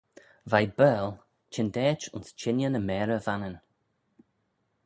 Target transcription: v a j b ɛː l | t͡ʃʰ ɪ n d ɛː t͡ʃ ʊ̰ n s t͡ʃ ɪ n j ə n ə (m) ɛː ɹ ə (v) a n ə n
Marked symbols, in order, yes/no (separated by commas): yes, yes